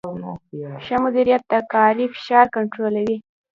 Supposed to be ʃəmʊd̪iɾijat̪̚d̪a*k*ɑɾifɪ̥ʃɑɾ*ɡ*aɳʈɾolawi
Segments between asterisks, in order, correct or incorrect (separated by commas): correct, incorrect